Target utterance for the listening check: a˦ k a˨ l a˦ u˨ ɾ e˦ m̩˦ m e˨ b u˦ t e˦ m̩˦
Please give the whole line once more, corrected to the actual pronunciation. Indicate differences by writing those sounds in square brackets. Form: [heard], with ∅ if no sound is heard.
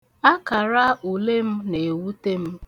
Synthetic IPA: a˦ k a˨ [ɾ] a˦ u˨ [l] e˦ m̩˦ [n] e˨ [w] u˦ t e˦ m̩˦